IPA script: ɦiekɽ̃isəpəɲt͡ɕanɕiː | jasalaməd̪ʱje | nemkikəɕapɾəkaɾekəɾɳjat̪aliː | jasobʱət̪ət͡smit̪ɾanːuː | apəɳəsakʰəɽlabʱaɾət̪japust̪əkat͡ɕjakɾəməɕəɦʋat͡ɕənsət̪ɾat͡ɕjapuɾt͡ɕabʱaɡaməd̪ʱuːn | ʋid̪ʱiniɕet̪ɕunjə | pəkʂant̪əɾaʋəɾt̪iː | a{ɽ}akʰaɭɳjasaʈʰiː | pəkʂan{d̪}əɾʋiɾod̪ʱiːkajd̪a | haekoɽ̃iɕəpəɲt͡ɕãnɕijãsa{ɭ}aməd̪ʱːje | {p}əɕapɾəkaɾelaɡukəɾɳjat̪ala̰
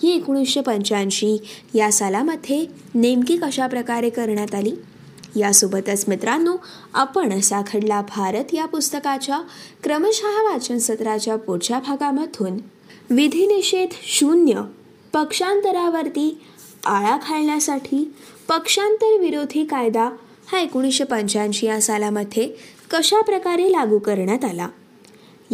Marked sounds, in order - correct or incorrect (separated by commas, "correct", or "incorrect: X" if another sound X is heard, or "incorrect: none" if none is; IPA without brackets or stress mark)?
incorrect: ɭ, incorrect: t̪, incorrect: l, incorrect: k